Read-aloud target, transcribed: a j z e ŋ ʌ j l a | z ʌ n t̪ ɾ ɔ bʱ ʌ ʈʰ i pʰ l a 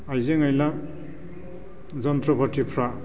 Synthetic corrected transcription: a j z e ŋ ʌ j l a | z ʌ n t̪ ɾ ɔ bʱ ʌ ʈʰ i pʰ ɾ a